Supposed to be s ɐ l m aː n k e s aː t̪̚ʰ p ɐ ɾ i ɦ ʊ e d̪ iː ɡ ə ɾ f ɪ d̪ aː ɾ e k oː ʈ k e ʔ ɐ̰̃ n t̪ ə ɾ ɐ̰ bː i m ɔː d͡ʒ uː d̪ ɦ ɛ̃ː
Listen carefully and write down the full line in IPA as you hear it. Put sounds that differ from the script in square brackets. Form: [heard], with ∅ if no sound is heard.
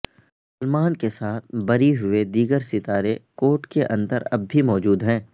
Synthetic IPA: s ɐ l m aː n k e s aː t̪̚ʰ [b] ɐ ɾ i ɦ ʊ e d̪ iː ɡ ə ɾ [s] ɪ [t̪] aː ɾ e k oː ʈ k e ʔ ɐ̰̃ n [d̪] ə ɾ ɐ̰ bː i m ɔː d͡ʒ uː d̪ ɦ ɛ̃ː

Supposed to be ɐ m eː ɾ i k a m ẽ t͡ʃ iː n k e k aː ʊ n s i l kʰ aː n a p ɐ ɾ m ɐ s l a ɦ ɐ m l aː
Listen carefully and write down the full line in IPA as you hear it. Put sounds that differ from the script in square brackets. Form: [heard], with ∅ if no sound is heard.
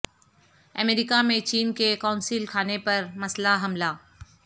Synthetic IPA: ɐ m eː ɾ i k a m ẽ t͡ʃ iː n k e k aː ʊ n s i l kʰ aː n [e] p ɐ ɾ m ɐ s l a ɦ ɐ m l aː

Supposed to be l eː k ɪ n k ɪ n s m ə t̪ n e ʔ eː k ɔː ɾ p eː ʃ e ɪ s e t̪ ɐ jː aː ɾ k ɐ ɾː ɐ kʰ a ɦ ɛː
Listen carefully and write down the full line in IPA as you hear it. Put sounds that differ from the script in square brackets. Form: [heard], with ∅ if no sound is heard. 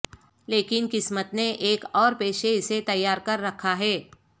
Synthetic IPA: l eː k ɪ n k ɪ [∅] s m ə t̪ n e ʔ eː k ɔː ɾ p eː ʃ e ɪ s e t̪ ɐ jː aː ɾ k ɐ ɾː ɐ kʰ a ɦ ɛː

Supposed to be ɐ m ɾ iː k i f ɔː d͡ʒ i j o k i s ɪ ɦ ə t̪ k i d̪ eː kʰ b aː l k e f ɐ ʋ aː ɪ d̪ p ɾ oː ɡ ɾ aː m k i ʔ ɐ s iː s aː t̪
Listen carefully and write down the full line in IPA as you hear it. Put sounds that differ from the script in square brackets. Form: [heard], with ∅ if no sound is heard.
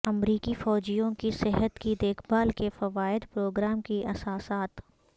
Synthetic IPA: ɐ m ɾ iː k i f ɔː d͡ʒ i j [õ] k i s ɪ ɦ ə t̪ k i d̪ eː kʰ b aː l k e f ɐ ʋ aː ɪ d̪ p ɾ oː ɡ ɾ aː m k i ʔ ɐ s [aː] s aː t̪

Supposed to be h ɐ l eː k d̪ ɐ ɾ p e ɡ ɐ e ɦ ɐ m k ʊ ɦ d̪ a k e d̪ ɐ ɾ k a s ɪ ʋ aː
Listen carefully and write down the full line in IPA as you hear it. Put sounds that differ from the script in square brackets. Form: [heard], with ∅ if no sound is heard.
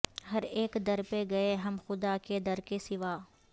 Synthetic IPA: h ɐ [ɾ] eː k d̪ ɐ ɾ p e ɡ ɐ e ɦ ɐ m [x] ʊ [∅] d̪ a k e d̪ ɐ ɾ k [e] s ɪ ʋ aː

